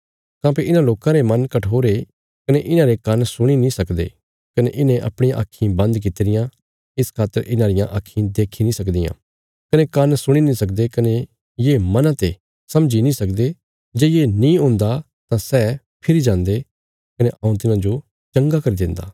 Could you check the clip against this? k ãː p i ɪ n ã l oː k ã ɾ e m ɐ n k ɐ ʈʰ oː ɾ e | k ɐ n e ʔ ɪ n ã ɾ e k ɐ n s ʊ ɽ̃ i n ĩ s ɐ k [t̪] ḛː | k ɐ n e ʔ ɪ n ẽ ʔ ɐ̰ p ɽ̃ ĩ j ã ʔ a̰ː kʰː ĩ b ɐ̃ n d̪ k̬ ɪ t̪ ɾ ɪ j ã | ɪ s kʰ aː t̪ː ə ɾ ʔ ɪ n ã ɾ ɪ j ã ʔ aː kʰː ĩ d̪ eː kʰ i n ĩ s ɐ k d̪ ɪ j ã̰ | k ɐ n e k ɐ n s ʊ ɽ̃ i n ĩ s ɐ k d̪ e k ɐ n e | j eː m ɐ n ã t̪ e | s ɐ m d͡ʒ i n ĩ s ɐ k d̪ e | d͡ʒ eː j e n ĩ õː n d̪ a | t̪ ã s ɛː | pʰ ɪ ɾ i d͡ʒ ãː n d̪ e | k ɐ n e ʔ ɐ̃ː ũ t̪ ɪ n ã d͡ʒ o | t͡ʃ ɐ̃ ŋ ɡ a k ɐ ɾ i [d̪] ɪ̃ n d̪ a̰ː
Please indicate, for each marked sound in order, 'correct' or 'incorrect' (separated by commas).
incorrect, correct